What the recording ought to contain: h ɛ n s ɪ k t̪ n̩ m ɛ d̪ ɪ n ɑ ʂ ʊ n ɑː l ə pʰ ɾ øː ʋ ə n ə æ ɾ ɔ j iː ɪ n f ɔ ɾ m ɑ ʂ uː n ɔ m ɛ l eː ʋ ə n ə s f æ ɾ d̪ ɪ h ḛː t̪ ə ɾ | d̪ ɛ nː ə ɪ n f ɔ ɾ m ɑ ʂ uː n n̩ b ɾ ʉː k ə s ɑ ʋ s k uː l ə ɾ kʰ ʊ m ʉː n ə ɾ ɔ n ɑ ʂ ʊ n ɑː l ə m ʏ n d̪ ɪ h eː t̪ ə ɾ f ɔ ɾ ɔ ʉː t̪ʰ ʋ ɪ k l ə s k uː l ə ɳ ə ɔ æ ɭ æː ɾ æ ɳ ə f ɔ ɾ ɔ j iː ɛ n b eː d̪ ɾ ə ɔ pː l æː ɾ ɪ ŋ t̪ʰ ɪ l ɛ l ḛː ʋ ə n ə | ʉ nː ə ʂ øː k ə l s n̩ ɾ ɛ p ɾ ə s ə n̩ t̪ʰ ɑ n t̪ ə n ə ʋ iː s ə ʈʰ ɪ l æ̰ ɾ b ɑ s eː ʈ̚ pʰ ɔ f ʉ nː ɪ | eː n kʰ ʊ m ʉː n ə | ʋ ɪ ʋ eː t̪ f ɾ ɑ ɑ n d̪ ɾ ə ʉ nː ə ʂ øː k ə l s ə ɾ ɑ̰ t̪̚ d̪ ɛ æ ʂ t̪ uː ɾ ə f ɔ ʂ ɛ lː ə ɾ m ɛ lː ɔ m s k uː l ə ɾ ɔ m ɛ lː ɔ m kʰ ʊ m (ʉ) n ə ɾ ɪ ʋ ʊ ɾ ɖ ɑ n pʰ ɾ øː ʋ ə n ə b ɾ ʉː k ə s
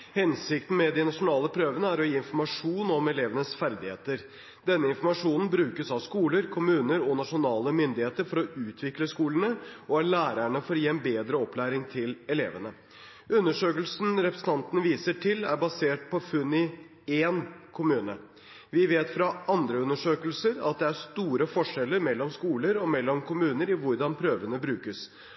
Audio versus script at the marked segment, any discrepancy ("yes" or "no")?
yes